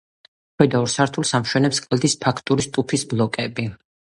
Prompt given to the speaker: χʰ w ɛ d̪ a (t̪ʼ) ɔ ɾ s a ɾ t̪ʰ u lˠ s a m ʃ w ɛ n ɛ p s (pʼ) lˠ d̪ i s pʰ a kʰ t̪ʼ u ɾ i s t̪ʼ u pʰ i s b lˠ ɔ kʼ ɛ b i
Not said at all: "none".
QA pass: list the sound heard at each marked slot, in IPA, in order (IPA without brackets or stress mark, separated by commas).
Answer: none, kʼ